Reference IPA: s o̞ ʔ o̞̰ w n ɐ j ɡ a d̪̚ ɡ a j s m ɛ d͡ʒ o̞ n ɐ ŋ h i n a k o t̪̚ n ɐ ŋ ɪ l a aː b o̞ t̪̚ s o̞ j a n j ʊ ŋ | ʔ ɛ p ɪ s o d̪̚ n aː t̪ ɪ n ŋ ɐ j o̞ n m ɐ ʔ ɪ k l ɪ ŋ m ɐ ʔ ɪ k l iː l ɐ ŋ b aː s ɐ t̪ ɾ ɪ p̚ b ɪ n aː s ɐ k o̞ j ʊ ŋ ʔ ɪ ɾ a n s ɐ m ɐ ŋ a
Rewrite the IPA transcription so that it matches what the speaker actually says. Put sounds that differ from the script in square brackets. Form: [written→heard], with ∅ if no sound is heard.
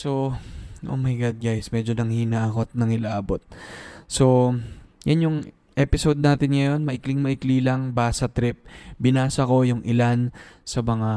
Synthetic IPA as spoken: s o̞ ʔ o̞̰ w [n→m] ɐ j ɡ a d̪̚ ɡ a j s m ɛ d͡ʒ o̞ n ɐ ŋ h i n a k o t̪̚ n ɐ ŋ ɪ l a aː b o̞ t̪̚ s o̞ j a n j ʊ ŋ | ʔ ɛ p ɪ s o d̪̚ n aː t̪ ɪ n ŋ ɐ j o̞ n m ɐ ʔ ɪ k l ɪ ŋ m ɐ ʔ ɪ k l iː l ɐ ŋ b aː s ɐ t̪ ɾ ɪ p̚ b ɪ n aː s ɐ k o̞ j ʊ ŋ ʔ ɪ [ɾ→l] a n s ɐ m ɐ ŋ a